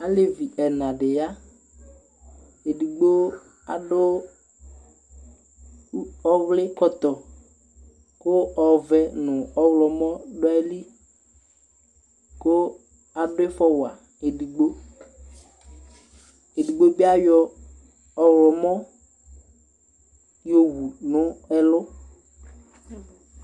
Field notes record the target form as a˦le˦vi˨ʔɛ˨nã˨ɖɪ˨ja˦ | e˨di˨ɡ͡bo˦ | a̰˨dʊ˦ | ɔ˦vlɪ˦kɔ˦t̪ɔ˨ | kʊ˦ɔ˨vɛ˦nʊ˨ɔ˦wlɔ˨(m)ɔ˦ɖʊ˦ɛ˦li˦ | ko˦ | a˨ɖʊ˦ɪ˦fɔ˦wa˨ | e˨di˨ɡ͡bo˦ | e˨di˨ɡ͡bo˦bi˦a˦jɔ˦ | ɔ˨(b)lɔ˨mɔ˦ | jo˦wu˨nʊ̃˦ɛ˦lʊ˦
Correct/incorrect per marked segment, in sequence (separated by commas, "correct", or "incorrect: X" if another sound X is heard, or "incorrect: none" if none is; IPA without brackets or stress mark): correct, incorrect: w